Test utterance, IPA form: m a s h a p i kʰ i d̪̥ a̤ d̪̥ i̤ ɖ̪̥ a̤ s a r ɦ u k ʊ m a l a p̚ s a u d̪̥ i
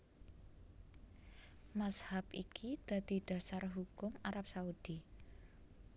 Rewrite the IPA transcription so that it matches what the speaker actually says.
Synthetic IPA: m a s h a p i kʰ i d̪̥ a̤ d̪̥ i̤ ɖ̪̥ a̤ s a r ɦ u k ʊ m a ɾ a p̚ s a u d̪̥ i

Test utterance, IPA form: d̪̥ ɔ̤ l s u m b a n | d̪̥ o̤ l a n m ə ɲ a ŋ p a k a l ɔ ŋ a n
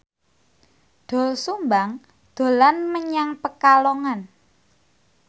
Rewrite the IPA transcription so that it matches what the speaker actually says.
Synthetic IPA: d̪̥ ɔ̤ l s u m b a ŋ | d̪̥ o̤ l a n m ə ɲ a ŋ p ə k a l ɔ ŋ a n

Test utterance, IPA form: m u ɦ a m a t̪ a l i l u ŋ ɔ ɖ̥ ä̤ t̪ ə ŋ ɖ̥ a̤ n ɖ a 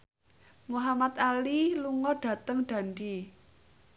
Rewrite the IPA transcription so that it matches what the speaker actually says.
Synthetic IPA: m u ɦ a m a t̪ a l i l u ŋ ɔ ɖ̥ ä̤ t̪ ə ŋ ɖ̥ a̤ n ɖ i

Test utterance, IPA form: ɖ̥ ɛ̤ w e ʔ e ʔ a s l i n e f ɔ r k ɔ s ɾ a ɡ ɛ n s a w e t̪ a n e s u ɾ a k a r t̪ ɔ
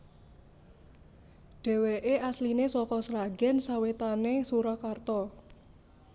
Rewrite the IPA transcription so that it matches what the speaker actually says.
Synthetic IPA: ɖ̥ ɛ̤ w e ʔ e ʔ a s l i n e s ɔ k ɔ s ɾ a ɡ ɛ n s a w e t̪ a n e s u ɾ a k a r t̪ ɔ

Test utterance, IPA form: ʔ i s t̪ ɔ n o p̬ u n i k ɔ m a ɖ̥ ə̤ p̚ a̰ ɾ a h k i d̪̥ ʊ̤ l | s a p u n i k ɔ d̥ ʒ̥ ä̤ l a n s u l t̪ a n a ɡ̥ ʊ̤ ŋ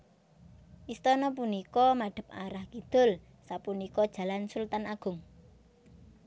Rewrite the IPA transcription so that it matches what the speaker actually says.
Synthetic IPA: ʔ i s t̪ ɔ n ɔ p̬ u n i k ɔ m a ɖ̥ ə̤ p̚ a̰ ɾ a h k i d̪̥ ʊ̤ l | s a p u n i k ɔ d̥ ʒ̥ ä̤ l a n s u l t̪ a n a ɡ̥ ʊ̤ ŋ

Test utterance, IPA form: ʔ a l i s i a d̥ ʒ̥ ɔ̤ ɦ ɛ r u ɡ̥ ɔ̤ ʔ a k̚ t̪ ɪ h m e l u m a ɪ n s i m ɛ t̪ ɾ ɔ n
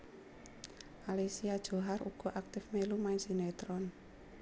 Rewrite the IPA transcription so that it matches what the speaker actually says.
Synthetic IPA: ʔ a l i s i a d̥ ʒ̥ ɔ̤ ɦ a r u ɡ̥ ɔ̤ ʔ a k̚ t̪ ɪ f m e l u m a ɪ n s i n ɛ t̪ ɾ ɔ n

